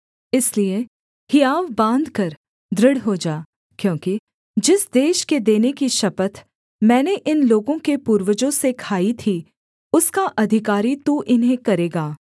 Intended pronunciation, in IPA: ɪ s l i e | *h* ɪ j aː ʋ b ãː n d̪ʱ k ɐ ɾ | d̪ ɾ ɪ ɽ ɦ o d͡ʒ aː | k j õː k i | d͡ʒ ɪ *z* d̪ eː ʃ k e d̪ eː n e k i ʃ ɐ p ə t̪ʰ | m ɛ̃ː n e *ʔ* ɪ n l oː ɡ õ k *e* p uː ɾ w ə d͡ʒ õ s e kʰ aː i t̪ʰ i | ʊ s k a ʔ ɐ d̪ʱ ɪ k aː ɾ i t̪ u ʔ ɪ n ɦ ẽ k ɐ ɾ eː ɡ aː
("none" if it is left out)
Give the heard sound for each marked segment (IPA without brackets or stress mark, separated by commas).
h, s, ʔ, e